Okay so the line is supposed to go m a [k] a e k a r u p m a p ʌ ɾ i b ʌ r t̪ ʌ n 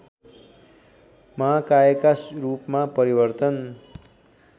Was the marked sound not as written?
no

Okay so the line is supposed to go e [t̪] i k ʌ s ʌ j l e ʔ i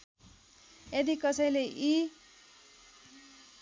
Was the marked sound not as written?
yes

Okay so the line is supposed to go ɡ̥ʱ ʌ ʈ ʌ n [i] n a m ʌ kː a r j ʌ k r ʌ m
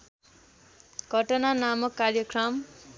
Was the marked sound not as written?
yes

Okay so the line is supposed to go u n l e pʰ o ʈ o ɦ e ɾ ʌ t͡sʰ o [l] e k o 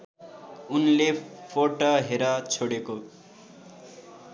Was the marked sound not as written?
yes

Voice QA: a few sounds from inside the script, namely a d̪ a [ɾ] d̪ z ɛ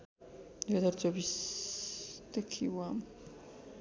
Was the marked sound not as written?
no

